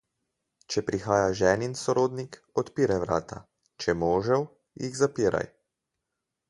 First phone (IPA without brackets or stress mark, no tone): t͡ʃ